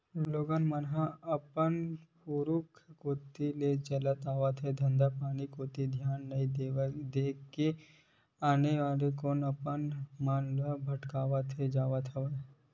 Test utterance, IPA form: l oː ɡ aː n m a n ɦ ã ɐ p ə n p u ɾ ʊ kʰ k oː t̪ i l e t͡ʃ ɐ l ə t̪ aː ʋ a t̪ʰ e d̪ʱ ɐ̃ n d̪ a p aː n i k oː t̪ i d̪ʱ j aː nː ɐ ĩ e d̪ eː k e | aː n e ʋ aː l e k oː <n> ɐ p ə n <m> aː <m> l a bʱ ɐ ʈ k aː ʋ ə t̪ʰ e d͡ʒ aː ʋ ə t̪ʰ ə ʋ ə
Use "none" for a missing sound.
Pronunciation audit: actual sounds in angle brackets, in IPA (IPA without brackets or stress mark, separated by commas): n, m, n